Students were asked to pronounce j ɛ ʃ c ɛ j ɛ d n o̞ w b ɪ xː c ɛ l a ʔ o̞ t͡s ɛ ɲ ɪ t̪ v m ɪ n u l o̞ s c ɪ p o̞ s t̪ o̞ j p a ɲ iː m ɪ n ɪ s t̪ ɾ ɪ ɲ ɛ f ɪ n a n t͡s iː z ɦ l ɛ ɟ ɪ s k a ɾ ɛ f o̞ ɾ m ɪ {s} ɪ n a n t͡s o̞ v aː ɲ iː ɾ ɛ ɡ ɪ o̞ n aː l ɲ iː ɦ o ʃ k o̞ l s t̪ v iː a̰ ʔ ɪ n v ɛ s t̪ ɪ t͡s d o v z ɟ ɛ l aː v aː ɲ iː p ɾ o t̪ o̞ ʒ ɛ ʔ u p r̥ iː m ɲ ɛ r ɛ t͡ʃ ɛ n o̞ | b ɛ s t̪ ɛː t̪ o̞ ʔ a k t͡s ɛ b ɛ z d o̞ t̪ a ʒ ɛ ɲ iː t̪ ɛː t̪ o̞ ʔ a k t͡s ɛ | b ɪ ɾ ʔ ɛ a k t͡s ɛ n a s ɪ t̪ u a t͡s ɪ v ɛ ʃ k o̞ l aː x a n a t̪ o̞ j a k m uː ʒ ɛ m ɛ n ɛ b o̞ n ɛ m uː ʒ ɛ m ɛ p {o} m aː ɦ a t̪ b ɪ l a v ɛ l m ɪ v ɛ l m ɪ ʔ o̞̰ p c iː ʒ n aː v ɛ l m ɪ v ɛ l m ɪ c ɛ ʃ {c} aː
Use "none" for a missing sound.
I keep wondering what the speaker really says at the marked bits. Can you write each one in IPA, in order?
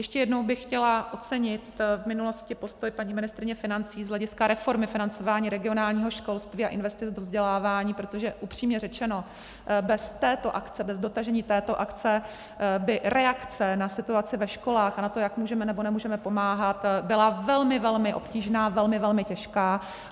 f, o, k

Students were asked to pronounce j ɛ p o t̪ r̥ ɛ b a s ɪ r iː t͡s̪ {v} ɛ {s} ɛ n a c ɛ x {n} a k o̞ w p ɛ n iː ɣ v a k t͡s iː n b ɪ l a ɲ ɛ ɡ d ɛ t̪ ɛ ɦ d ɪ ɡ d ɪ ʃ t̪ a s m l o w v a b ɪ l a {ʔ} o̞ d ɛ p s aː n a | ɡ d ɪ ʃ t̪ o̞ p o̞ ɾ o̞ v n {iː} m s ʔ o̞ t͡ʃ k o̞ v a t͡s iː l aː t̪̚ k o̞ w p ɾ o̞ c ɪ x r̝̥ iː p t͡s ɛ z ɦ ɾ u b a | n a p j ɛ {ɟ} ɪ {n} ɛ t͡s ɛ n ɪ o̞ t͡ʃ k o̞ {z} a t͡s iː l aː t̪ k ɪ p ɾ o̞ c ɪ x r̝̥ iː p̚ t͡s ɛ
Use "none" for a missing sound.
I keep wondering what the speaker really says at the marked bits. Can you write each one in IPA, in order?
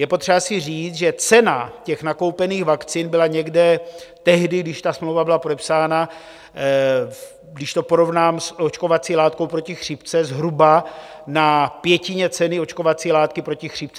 ʒ, t͡s, n, p, aː, c, ɲ, v

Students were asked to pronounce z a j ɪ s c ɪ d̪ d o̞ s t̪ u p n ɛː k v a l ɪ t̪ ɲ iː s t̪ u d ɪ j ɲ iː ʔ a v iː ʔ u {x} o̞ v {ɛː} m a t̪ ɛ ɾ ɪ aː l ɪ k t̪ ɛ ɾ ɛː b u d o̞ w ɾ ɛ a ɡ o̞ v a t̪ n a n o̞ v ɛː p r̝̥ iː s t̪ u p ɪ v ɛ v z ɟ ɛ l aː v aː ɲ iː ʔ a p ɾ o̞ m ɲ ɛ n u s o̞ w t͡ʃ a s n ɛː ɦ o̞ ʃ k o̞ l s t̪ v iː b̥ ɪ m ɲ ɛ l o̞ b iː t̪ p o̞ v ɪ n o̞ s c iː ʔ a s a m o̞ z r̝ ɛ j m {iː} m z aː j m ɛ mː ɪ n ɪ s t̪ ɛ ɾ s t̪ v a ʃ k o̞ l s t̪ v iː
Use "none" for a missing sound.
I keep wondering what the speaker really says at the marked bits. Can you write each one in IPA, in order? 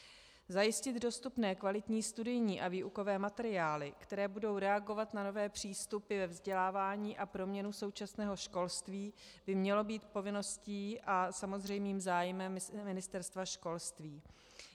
k, ɛː, iː

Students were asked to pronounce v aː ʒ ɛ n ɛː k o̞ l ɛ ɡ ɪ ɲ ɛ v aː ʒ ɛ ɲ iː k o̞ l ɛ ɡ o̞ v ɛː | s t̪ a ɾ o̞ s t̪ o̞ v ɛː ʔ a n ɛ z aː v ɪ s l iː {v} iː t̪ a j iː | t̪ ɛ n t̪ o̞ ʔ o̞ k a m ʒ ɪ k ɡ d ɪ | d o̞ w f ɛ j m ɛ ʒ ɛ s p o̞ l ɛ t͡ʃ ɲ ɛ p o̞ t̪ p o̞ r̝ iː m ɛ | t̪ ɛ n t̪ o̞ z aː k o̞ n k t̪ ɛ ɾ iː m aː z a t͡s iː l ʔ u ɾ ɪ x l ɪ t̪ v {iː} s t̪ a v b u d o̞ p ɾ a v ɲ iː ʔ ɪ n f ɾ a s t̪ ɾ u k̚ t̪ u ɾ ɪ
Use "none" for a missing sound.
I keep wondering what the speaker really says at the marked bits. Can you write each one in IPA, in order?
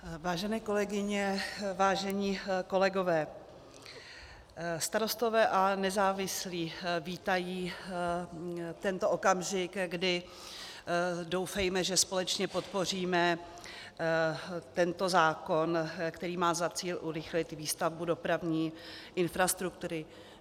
v, iː

